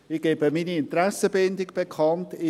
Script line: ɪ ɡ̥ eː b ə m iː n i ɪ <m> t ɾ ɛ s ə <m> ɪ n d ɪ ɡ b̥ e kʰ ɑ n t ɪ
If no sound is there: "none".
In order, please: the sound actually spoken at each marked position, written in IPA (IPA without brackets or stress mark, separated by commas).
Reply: n, b